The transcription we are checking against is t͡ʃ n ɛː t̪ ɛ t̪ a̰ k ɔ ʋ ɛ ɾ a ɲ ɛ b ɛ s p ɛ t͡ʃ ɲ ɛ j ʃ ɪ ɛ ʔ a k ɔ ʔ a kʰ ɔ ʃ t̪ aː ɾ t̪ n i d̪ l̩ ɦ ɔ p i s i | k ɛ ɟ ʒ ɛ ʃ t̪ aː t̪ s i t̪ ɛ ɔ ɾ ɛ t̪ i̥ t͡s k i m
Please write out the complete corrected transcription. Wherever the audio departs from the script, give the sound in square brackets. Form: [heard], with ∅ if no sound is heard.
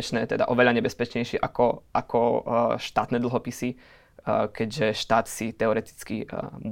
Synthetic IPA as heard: t͡ʃ n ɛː t̪ ɛ [d̪] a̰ [ʔ] ɔ ʋ ɛ [ʎ] a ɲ ɛ b ɛ s p ɛ t͡ʃ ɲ ɛ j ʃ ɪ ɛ ʔ a k ɔ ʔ a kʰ ɔ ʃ t̪ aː [∅] t̪ n [ɛ] d̪ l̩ ɦ ɔ p i s i | k ɛ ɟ ʒ ɛ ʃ t̪ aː t̪ s i t̪ ɛ ɔ ɾ ɛ t̪ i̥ t͡s k i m